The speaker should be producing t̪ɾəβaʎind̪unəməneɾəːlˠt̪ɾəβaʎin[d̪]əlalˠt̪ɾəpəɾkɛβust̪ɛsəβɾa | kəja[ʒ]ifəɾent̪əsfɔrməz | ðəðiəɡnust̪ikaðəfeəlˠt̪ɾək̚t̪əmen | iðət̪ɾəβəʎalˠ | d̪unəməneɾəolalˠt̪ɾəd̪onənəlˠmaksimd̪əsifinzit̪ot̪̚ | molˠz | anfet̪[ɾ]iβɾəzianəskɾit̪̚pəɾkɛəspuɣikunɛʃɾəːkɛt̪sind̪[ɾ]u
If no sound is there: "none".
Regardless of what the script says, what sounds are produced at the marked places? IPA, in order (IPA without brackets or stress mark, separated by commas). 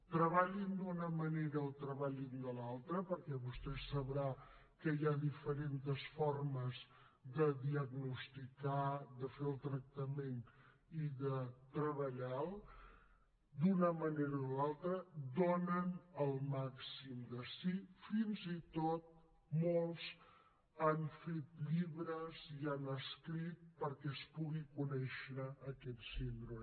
d̪, ð, ʎ, ɾ